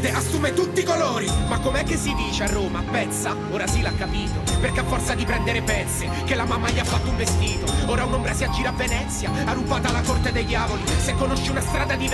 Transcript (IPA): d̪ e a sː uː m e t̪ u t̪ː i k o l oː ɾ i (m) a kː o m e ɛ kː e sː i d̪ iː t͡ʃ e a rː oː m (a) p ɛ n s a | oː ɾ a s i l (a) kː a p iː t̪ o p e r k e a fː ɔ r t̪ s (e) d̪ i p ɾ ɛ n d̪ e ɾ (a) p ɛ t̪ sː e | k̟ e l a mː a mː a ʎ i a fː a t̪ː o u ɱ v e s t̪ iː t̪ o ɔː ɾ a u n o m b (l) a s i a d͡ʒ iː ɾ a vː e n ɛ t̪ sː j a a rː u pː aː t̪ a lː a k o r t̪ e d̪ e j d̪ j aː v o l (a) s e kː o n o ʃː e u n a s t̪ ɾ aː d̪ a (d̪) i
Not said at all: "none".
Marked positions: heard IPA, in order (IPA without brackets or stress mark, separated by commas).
m, a, a, a, e, ɾ, i, d̪